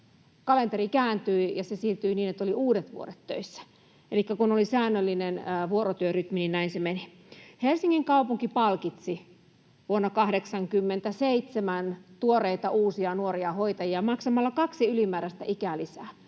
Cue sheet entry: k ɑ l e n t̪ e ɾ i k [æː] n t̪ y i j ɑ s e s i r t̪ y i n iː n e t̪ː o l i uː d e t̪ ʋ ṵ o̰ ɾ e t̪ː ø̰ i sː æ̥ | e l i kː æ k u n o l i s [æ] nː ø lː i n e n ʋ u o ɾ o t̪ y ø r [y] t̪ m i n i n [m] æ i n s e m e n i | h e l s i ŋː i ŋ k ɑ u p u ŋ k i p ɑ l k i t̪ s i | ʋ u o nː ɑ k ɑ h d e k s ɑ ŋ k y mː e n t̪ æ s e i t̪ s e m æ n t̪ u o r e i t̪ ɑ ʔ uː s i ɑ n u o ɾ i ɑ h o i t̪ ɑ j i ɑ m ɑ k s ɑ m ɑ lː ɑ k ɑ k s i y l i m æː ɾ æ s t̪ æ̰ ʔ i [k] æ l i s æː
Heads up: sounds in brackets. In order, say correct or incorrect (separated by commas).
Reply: correct, incorrect, correct, incorrect, correct